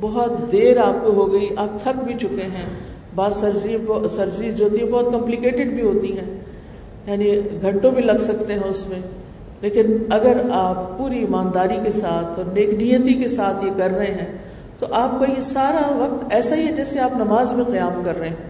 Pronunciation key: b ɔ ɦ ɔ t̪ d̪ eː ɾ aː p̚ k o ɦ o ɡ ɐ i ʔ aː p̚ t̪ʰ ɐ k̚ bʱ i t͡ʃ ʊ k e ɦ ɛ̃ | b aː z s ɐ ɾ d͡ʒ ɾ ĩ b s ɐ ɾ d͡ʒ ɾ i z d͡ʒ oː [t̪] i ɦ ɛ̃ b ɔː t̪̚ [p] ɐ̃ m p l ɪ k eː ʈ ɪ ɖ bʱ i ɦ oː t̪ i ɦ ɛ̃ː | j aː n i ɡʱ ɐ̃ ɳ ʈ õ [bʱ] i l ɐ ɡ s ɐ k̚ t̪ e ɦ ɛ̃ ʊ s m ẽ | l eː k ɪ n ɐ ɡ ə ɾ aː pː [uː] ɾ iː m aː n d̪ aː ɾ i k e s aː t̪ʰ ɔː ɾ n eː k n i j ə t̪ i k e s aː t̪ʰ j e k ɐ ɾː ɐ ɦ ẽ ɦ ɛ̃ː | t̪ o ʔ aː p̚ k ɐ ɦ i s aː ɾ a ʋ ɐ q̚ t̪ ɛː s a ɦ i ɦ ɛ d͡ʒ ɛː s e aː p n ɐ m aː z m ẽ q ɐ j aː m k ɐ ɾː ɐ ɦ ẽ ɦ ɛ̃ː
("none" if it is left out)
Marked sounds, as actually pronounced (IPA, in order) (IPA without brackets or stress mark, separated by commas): t̪, k, bʱ, uː